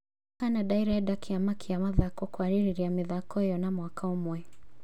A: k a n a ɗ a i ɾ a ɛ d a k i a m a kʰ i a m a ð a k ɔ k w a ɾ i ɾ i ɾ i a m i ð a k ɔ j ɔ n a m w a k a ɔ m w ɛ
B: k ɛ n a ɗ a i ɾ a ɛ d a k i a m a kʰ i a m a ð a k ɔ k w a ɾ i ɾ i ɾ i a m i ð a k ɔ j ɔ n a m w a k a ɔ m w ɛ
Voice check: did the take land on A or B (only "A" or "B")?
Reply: A